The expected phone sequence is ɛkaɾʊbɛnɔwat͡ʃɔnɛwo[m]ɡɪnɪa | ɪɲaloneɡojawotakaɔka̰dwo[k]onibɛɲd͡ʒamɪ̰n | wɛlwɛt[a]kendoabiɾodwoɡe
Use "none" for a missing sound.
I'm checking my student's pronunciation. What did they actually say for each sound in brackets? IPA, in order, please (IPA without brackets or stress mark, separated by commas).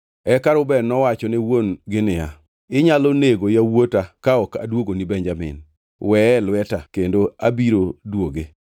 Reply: n, ɡ, a